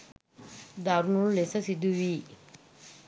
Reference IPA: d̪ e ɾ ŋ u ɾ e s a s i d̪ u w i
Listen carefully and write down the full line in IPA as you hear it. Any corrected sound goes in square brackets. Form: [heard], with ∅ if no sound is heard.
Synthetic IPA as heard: d̪ [a] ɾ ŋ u [l] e s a s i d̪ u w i